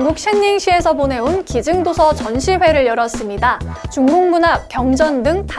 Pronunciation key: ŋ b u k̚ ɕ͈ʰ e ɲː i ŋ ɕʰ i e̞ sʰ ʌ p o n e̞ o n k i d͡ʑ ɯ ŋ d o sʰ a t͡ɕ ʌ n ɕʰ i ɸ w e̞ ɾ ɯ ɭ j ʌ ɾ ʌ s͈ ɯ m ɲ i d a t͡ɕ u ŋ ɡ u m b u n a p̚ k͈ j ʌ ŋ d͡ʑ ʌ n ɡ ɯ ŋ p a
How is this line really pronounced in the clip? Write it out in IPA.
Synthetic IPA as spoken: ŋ ɡ u k̚ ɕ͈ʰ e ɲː i ŋ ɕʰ i e̞ sʰ ʌ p o n e̞ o n k i d͡ʑ ɯ ŋ d o sʰ ʌ t͡ɕ ʌ n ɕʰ i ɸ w e̞ ɾ ɯ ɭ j ʌ ɾ ʌ s͈ ɯ m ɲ i d a t͡ɕ u ŋ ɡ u ŋ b u n a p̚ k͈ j ʌ ŋ d͡ʑ ʌ n d ɯ ŋ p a